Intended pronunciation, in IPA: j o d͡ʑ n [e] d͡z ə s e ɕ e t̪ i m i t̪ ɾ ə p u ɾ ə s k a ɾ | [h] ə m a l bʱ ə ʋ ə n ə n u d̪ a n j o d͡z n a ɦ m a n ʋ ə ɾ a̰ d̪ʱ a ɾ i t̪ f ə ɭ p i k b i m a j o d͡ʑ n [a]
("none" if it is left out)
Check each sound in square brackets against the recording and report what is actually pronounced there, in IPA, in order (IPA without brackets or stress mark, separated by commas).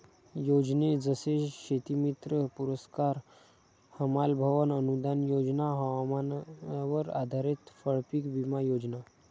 e, h, a